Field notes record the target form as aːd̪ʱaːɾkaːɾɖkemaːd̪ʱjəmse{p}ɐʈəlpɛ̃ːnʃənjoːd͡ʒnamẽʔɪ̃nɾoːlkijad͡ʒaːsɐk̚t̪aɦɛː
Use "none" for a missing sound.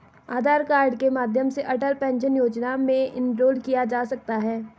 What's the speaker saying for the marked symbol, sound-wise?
ʔ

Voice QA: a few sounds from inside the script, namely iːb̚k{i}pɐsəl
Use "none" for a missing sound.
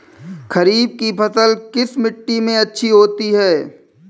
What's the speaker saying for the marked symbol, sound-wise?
i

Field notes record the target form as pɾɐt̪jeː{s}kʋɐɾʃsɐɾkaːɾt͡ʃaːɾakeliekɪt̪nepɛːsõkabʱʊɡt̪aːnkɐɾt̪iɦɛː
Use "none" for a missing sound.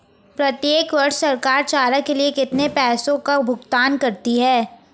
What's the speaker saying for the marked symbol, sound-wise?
none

